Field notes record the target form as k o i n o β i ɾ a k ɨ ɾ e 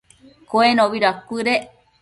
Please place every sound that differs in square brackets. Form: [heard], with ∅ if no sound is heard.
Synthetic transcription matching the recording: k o [e] n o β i ɾ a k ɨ ɾ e